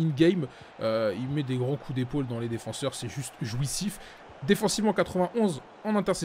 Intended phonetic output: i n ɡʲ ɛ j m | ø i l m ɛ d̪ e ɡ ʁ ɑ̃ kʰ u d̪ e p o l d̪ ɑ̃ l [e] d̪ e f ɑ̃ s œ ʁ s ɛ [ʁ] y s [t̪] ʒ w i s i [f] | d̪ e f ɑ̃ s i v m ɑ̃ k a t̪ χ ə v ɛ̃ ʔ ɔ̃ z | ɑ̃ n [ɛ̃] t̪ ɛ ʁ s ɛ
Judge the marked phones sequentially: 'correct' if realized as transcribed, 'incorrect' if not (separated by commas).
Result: correct, incorrect, correct, correct, correct